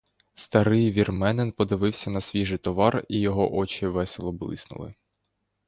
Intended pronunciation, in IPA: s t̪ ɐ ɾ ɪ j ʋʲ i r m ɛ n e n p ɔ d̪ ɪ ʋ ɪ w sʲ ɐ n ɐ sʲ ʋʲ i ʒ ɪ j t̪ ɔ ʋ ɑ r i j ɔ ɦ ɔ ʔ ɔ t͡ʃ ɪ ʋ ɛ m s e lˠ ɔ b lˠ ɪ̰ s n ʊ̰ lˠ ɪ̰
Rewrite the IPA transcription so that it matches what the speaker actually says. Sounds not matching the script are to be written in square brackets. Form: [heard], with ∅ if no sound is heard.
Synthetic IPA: s t̪ ɐ ɾ ɪ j ʋʲ i r m ɛ n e n p ɔ d̪ ɪ ʋ ɪ w sʲ ɐ n ɐ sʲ ʋʲ i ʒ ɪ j t̪ ɔ ʋ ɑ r i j ɔ ɦ ɔ ʔ ɔ t͡ʃ ɪ ʋ ɛ [∅] s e lˠ ɔ b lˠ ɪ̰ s n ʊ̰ lˠ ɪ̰